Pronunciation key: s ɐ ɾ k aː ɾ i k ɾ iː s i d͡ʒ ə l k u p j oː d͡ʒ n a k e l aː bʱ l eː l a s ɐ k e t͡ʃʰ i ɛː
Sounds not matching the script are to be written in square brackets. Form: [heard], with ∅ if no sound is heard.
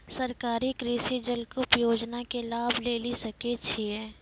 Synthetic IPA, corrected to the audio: s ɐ ɾ k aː ɾ i k ɾ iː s i d͡ʒ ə l k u p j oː d͡ʒ n a k e l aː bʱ l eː l [i] s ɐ k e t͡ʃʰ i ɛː